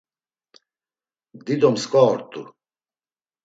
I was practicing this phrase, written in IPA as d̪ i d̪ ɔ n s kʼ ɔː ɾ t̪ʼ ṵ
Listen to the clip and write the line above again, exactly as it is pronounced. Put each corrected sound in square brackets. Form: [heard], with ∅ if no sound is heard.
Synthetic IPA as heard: d̪ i d̪ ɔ [m] s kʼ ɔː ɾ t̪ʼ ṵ

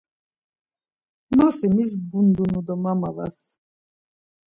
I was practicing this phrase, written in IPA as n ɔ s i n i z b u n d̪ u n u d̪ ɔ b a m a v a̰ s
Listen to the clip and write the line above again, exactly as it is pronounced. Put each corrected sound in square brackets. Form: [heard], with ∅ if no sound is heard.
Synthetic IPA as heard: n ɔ s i [m] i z b u n d̪ u n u d̪ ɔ [m] a m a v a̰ s

